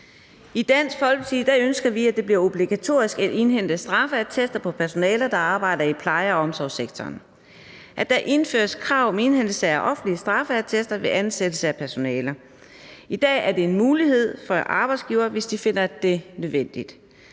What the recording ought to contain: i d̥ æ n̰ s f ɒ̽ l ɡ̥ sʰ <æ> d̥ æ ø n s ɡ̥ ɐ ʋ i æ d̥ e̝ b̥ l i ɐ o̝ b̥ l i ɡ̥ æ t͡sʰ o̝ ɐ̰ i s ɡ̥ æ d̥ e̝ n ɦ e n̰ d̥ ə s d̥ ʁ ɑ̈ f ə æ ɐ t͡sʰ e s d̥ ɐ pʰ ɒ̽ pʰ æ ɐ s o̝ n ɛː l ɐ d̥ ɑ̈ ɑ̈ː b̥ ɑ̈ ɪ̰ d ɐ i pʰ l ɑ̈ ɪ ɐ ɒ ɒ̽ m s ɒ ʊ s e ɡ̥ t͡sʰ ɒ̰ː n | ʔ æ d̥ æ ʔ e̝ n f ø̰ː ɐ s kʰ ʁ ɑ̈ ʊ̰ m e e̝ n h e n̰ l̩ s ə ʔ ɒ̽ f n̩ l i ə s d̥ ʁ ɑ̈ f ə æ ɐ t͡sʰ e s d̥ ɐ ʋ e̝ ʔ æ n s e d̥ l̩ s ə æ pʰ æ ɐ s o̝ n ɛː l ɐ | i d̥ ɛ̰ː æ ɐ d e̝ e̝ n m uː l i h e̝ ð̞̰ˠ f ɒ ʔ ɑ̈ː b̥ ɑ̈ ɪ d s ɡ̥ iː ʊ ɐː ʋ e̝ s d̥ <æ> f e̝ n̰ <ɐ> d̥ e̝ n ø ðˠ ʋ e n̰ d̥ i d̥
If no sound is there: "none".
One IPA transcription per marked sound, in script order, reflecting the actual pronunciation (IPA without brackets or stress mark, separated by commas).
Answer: i, i, ɐ